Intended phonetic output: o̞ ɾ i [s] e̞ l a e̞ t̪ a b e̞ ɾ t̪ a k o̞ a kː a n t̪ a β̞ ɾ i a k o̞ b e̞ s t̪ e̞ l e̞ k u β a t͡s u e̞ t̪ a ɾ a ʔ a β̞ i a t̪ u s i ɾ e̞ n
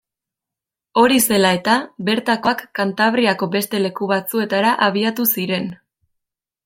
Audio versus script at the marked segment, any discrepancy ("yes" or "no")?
no